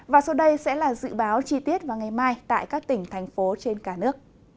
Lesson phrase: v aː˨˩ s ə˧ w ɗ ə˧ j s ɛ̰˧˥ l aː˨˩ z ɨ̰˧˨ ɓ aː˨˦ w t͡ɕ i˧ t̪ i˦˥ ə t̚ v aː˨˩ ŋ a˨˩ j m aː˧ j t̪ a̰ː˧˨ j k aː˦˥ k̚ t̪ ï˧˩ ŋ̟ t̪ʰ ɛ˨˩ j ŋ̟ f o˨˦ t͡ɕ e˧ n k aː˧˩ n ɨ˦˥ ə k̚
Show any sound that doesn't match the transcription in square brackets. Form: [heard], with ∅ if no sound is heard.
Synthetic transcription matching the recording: v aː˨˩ s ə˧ w ɗ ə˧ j s ɛ̰˧˥ l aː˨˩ z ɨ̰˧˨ ɓ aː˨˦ w t͡ɕ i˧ t̪ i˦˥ ə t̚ v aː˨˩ ŋ a˨˩ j m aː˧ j t̪ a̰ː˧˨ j k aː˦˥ k̚ t̪ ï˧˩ ŋ̟ t̪ʰ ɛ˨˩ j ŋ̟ f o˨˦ t͡ɕ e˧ n k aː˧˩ n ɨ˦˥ ə k̚